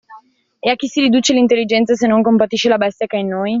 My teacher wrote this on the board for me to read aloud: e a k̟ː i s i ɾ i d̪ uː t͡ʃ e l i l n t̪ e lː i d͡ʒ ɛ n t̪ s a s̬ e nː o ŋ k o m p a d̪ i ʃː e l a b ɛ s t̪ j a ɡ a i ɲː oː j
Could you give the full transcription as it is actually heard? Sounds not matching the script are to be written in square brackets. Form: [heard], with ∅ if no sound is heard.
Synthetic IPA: e a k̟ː i s i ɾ i d̪ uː t͡ʃ e l i [∅] n t̪ e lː i d͡ʒ ɛ n t̪ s a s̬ e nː o ŋ k o m p a [t̪] i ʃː e l a b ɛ s t̪ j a [k] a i [nː] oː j

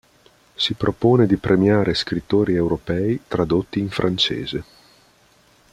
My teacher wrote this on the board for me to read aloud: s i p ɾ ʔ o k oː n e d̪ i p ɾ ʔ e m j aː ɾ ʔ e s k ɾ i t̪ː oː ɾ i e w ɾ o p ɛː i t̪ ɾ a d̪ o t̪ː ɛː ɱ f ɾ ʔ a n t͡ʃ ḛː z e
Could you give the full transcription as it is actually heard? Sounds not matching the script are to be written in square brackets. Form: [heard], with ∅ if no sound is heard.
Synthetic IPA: s i p ɾ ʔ o [p] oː n e d̪ i p ɾ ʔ e m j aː ɾ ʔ e s k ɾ i t̪ː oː ɾ i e w ɾ o p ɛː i t̪ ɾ a d̪ o t̪ː [iː] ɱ f ɾ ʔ a n t͡ʃ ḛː z e

